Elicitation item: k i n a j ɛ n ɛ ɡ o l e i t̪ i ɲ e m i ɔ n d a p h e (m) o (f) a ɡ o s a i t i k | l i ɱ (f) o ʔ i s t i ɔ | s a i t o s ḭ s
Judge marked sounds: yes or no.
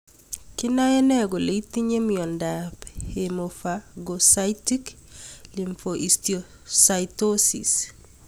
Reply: yes, yes, yes

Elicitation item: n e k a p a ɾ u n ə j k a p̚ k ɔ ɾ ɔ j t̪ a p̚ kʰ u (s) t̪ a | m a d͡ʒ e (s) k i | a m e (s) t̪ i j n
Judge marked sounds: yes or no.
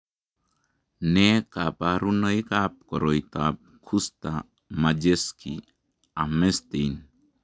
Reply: yes, yes, yes

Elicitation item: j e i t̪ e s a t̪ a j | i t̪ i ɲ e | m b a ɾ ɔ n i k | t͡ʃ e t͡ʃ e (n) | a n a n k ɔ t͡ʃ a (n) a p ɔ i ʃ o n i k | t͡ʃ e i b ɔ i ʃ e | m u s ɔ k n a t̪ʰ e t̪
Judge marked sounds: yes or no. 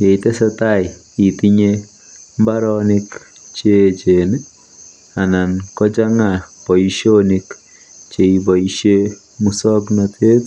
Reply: yes, no

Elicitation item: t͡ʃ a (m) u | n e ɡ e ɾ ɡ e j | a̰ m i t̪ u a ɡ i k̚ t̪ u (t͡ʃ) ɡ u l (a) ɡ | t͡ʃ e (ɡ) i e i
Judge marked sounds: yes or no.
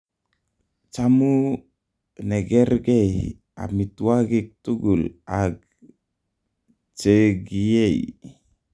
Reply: yes, no, yes, yes

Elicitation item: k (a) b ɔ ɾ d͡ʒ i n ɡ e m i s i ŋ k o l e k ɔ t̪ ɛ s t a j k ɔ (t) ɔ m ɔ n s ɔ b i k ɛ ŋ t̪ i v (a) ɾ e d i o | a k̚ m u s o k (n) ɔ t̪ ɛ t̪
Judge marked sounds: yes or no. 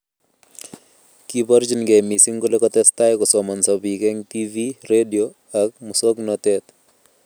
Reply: no, no, no, yes

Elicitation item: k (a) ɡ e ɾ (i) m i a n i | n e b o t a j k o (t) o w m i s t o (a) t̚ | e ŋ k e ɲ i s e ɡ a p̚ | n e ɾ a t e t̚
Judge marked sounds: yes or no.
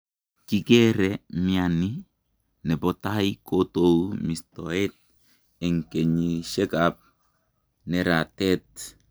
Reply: no, no, yes, no

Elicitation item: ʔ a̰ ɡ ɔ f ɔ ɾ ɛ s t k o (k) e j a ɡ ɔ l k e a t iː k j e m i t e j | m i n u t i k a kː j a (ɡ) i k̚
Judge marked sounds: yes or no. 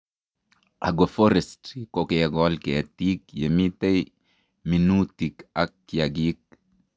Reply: yes, yes

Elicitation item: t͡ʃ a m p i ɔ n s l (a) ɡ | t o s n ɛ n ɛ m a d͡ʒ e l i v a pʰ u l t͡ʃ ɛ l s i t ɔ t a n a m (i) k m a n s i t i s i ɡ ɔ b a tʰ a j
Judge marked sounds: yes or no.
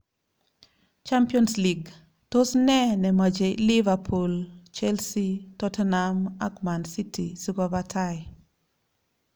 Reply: no, no

